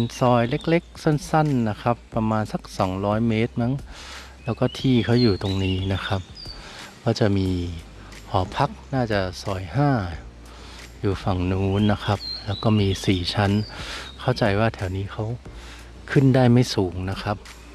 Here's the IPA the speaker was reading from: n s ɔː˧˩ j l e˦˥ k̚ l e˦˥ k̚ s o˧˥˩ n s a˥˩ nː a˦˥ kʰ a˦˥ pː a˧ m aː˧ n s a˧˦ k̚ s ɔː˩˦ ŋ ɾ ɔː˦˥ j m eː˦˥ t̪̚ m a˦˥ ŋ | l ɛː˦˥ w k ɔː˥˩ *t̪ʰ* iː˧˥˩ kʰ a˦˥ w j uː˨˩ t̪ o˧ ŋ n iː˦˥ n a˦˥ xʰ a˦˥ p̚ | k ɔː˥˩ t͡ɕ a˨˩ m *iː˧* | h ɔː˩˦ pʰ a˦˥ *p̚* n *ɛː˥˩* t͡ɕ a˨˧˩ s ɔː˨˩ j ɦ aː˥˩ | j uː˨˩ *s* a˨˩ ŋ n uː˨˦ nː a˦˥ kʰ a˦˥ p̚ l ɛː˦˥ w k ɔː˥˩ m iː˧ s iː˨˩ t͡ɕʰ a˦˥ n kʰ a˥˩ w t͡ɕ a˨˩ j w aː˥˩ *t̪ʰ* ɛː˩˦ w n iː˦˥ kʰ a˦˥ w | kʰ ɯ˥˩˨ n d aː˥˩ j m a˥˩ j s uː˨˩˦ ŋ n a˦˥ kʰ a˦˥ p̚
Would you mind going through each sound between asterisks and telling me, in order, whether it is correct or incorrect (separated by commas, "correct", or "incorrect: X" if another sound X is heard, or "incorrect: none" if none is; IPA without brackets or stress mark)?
correct, correct, incorrect: k̚, incorrect: aː˥˩, incorrect: f, correct